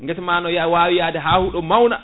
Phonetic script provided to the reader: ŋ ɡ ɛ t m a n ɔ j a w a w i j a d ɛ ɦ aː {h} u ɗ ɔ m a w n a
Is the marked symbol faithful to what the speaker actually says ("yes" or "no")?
yes